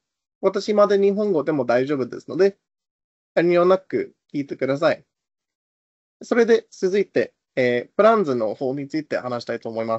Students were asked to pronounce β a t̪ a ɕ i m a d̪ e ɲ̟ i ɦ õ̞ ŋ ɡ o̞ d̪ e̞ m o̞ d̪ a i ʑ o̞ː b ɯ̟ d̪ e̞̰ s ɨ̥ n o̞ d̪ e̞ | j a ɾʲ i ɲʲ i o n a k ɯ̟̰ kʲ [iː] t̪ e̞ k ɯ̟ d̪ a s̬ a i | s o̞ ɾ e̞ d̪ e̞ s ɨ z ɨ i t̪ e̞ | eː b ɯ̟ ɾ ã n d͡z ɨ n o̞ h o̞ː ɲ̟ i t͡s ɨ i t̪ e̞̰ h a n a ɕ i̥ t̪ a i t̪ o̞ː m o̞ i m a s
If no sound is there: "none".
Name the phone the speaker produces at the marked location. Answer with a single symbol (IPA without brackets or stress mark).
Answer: iː